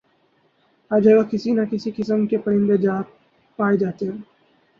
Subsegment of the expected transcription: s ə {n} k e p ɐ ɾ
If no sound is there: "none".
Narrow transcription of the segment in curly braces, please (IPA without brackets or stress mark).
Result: m